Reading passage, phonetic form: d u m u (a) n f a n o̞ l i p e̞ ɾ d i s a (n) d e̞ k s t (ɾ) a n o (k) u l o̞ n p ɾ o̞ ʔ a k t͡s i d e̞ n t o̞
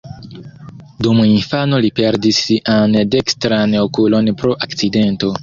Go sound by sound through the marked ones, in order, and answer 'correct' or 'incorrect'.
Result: incorrect: i, correct, correct, correct

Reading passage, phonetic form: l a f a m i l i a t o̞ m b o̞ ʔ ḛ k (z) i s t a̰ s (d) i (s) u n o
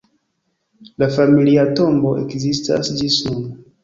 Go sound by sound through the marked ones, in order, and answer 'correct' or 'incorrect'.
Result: correct, incorrect: d͡ʒ, correct

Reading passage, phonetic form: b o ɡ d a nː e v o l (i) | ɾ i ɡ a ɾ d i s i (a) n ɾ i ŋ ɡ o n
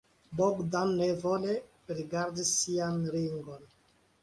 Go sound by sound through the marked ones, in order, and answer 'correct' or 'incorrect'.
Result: incorrect: e, correct

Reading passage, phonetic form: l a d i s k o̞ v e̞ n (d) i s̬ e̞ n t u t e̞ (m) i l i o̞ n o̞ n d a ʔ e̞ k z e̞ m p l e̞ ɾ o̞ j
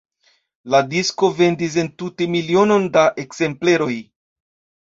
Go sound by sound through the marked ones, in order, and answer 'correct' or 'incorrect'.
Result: correct, correct

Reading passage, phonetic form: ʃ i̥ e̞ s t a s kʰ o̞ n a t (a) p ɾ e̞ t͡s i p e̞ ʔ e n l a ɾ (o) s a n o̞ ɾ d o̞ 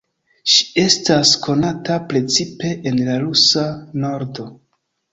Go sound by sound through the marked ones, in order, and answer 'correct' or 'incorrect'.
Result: correct, incorrect: u

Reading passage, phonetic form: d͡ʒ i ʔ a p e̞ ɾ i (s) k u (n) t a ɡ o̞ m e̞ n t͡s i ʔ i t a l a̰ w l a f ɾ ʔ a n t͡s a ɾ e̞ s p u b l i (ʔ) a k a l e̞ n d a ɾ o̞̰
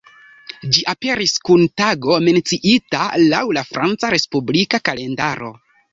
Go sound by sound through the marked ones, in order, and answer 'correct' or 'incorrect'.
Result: correct, correct, incorrect: k

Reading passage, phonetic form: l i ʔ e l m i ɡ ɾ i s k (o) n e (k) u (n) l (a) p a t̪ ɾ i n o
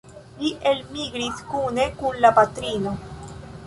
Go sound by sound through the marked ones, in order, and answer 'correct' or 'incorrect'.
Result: incorrect: u, correct, correct, correct

